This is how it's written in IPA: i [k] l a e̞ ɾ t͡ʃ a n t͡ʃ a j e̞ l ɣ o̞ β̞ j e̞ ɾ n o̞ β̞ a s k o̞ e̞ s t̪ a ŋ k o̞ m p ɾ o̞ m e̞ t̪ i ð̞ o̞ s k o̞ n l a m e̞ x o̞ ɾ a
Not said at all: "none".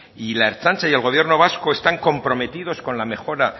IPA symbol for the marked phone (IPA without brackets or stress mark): none